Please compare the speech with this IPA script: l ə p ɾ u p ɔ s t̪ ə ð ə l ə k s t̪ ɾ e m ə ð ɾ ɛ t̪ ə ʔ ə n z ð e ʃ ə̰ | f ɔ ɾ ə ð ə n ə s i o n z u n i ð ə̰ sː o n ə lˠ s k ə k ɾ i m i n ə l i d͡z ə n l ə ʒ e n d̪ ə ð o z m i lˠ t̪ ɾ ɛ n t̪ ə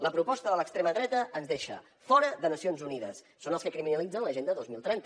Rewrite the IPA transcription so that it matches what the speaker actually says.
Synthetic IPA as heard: l ə p ɾ u p ɔ s t̪ ə ð ə l ə k s t̪ ɾ e m ə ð ɾ ɛ t̪ ə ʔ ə n z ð e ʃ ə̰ | f ɔ ɾ ə ð ə n ə s i o n z u n i ð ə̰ sː o n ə lˠ s k ə k ɾ i m i n ə l i d͡z ə n l ə ʒ e n d̪ ə ð o z m i lˠ t̪ ɾ ɛ n t̪ ə